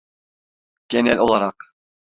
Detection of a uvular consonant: present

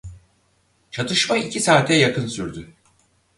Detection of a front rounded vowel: present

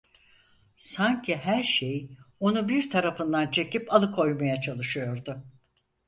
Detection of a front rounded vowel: absent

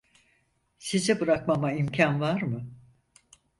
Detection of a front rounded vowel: absent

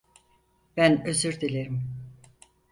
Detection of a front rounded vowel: present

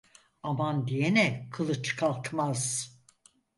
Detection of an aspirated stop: present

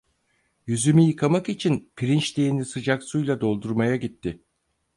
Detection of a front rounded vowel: present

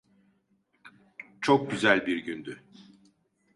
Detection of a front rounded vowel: present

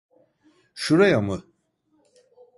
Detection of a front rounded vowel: absent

